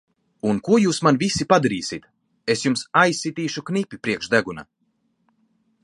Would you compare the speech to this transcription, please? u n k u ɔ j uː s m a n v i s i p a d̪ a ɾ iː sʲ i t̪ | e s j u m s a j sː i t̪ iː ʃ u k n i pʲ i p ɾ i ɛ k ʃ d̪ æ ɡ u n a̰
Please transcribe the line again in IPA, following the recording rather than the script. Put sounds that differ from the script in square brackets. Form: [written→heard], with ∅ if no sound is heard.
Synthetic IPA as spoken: u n k u ɔ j uː s m a n v i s i p a d̪ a ɾ iː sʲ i t̪ | e s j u m s a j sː i t̪ iː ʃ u k n i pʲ i p ɾ i ɛ k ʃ d̪ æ ɡ u n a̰